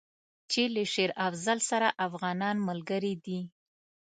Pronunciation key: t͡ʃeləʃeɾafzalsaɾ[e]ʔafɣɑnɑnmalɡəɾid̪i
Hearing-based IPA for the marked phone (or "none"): a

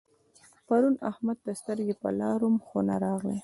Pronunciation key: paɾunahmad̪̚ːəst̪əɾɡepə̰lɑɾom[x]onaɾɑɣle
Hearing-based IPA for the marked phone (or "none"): x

